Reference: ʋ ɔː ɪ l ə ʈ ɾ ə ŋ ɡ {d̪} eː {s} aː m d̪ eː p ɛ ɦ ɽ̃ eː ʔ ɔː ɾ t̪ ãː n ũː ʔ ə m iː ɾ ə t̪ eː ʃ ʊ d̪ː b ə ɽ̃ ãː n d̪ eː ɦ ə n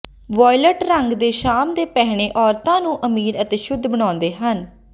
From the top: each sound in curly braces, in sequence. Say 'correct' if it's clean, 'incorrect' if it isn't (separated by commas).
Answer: correct, incorrect